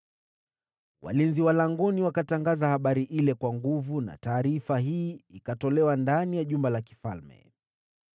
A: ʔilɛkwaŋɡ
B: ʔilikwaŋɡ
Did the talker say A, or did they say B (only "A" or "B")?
A